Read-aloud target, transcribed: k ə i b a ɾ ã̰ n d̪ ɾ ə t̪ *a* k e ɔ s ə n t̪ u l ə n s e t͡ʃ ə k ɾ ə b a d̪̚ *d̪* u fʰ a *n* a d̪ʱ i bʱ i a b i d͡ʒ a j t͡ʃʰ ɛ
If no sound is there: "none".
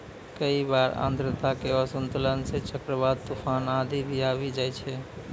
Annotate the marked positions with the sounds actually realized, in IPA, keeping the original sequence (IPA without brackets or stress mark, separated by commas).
a, t̪, n